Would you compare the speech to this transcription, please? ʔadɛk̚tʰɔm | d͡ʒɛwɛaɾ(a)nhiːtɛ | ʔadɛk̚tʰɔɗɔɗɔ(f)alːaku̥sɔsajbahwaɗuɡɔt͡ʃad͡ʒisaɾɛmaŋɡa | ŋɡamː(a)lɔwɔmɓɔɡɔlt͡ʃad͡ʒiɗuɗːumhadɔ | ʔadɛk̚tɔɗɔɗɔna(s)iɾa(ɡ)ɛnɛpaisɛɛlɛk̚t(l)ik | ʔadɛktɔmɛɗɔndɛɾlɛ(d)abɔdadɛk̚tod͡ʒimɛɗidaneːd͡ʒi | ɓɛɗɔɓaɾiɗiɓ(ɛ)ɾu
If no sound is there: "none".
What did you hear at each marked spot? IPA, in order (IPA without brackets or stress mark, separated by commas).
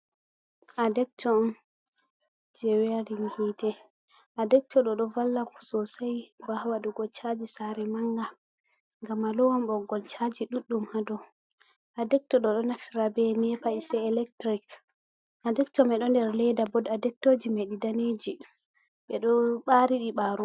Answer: i, v, a, f, b, ɾ, d, a